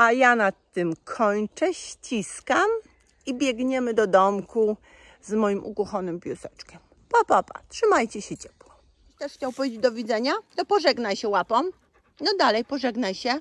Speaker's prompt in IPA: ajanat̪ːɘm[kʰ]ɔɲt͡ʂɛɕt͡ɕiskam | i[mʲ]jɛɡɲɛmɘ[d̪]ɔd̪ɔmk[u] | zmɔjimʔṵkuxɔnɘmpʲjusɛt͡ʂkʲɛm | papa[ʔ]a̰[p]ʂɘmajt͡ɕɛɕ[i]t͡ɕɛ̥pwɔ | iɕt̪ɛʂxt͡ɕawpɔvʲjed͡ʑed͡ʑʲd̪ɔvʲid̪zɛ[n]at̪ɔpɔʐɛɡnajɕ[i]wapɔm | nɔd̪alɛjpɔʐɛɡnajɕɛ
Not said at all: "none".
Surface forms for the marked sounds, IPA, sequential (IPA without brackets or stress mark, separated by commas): kʰ, bʲ, d̪, u, p, t, ɛ, ɲ, ɛ